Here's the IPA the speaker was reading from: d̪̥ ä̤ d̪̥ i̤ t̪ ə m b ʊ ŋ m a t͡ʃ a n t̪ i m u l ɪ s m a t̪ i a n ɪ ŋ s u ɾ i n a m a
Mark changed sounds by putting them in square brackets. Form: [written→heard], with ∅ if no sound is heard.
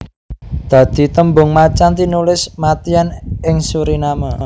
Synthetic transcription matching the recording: d̪̥ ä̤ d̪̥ i̤ t̪ ə m b ʊ ŋ m a t͡ʃ a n t̪ i [m→n] u l ɪ s m a t̪ i a n ɪ ŋ s u ɾ i n a m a